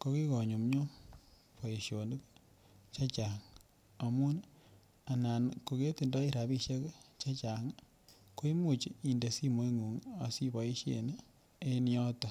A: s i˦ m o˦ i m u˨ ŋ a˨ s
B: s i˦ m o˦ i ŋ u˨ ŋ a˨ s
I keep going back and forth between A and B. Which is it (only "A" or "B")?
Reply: B